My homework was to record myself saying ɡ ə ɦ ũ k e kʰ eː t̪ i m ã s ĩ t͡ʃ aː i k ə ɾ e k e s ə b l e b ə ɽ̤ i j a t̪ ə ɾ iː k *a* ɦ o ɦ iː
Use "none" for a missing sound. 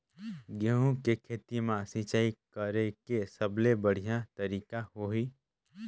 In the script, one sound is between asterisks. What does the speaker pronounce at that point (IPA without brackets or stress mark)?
a